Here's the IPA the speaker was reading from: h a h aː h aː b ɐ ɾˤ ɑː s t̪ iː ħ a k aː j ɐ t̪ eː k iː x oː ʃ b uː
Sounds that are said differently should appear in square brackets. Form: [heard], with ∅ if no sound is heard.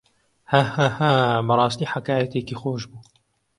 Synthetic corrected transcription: h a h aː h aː b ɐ ɾˤ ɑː s t̪ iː ħ a k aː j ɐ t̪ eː k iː x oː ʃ b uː

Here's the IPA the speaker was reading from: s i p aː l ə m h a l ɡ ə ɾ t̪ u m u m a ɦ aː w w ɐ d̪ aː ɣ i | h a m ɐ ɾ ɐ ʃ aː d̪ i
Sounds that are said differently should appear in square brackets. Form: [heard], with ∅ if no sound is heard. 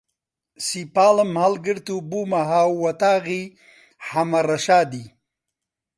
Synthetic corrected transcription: s i p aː l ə m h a l ɡ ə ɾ t̪ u [b] u m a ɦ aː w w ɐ [t̪] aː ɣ i | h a m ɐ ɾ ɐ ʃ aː d̪ i

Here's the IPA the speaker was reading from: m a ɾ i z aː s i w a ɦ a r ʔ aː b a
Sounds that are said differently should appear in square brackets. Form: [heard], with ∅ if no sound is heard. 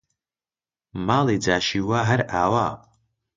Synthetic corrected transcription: m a [l] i [d͡z] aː [ʃ] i w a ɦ a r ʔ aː [w] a

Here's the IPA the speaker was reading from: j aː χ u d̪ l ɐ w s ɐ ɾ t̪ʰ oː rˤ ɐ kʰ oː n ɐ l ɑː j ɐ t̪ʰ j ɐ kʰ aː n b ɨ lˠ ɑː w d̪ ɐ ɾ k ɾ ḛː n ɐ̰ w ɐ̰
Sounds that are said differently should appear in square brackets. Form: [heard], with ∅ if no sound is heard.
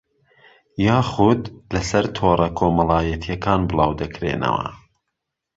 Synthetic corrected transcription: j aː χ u d̪ l ɐ [∅] s ɐ ɾ t̪ʰ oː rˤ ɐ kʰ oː [m] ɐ l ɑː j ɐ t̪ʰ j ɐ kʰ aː n b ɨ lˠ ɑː w d̪ ɐ [∅] k ɾ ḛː n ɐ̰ w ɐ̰

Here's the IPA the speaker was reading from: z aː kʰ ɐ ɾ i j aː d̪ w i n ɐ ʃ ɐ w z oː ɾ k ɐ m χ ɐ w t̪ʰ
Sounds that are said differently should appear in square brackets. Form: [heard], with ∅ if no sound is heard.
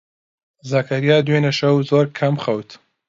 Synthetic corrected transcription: z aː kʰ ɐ ɾ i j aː d̪ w [e] n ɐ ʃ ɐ w z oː ɾ [kʰ] ɐ m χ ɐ w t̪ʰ

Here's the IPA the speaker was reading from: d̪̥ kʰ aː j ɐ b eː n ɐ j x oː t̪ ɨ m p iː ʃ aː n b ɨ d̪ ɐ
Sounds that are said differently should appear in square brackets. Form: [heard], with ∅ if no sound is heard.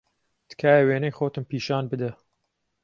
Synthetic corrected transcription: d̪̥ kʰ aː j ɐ [w] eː n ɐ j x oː t̪ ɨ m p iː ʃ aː n b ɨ d̪ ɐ

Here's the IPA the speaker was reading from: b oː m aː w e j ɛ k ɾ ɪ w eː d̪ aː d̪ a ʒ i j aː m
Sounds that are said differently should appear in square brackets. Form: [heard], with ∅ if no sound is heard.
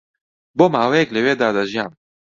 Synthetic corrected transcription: b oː m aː w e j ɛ k [l] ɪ w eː d̪ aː d̪ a ʒ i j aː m

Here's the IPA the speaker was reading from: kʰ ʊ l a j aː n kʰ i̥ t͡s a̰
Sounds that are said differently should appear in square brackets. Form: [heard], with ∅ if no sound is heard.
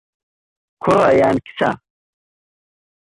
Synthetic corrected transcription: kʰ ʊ [ɾ] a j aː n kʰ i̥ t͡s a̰

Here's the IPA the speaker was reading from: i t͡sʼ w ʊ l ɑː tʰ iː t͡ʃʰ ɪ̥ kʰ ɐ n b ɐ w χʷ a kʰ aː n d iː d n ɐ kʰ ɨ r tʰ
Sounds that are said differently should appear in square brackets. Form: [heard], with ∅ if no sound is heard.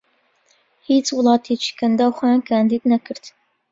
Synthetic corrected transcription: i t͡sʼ w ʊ l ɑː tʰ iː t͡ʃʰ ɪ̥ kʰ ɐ n [d] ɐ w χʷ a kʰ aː n d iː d n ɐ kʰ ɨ r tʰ

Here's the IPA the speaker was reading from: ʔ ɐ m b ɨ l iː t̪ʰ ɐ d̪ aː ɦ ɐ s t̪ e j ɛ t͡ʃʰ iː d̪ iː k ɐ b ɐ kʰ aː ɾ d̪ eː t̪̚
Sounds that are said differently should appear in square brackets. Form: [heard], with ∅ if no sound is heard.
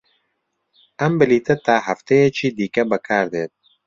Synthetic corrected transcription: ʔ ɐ m b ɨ l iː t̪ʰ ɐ [t̪] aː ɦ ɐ [f] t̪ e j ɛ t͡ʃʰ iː d̪ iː k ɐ b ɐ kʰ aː ɾ d̪ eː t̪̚

